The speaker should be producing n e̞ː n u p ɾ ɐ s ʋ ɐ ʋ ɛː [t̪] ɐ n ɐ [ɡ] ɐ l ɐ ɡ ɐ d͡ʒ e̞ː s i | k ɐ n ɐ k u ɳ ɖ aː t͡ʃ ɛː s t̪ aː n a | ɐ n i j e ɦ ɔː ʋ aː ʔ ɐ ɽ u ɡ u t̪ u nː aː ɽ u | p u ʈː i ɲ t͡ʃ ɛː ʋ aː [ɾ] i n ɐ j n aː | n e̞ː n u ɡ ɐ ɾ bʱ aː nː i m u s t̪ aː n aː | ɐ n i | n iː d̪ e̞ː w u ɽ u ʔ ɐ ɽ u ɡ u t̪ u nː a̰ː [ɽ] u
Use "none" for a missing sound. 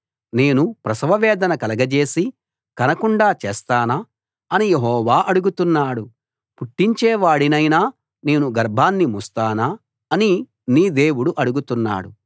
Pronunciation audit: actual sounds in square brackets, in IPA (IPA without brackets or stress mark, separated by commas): d̪, k, ɽ, ɽ